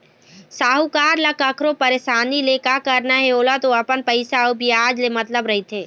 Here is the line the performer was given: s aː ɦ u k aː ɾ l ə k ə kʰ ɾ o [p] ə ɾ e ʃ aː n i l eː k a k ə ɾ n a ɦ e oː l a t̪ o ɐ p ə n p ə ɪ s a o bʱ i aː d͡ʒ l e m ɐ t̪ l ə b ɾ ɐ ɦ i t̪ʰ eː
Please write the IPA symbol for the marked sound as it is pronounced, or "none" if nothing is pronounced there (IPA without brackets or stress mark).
p